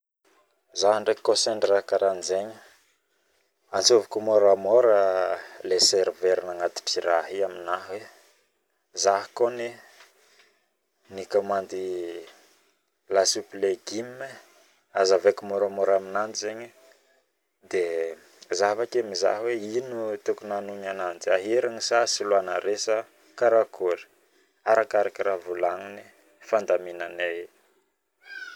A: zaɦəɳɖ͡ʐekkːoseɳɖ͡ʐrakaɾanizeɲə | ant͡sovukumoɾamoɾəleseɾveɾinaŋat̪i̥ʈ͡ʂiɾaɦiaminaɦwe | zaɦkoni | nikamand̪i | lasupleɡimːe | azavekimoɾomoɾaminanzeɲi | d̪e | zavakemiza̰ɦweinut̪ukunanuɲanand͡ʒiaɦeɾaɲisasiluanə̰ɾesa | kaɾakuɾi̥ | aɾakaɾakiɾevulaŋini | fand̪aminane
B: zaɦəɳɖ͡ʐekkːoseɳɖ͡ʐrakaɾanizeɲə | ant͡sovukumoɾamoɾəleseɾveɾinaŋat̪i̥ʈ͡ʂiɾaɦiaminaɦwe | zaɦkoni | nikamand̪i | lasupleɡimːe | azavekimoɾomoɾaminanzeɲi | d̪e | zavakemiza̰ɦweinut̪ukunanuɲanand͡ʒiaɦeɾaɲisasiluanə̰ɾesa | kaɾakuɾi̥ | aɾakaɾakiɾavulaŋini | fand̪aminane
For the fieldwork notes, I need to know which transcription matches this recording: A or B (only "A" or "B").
B